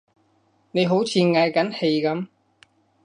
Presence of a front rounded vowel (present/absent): absent